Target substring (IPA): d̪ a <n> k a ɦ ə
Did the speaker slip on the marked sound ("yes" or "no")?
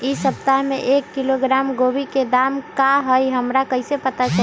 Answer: yes